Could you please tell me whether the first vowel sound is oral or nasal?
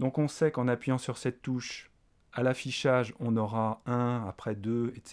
nasal